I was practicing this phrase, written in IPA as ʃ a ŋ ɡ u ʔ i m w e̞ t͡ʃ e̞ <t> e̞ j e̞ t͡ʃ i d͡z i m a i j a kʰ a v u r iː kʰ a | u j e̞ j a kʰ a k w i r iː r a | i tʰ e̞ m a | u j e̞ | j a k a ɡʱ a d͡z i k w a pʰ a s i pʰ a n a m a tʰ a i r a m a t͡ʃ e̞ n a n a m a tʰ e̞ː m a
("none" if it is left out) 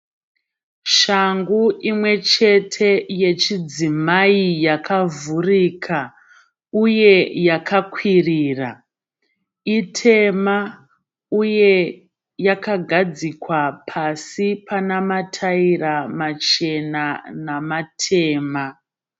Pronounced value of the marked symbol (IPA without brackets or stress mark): tʰ